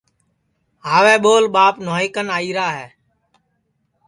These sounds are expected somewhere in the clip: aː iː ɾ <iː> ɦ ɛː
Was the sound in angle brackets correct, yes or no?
no